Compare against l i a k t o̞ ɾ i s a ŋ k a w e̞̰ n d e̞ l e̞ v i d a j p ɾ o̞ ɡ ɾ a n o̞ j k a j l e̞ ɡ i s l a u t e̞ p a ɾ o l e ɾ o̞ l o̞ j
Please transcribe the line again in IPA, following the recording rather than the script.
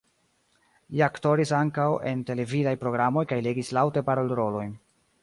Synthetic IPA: l i a k t o̞ ɾ i s a ŋ k a w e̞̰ n t e̞ l e̞ v i d a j p ɾ o̞ ɡ ɾ a m o̞ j k a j l e̞ ɡ i s l a w t e̞ p a ɾ o l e ɾ o̞ l o̞ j